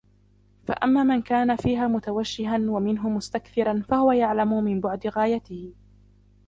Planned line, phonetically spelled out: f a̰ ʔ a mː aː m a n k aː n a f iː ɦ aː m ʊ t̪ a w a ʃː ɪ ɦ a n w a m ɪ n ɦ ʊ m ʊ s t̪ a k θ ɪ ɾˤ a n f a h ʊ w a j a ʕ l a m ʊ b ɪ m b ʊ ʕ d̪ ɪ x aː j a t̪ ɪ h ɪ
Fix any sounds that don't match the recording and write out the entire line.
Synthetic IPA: f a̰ ʔ a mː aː m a n k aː n a f iː ɦ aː m ʊ t̪ a w a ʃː ɪ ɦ a n w a m ɪ n ɦ ʊ m ʊ s t̪ a k θ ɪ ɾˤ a n f a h ʊ w a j a ʕ l a m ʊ m ɪ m b ʊ ʕ d̪ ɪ ɣ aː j a t̪ ɪ h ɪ